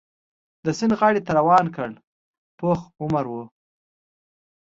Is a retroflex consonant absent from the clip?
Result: no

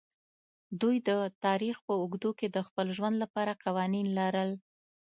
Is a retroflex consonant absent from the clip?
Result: yes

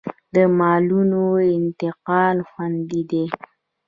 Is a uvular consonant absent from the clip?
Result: no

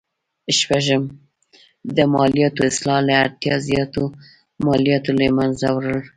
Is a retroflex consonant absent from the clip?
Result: yes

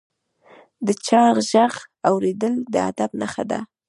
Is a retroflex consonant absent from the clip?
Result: yes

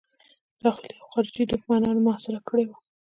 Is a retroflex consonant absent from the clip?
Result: no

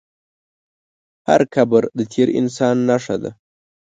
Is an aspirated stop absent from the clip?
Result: no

